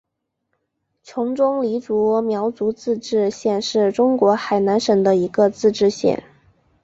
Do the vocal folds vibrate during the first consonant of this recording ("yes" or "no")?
no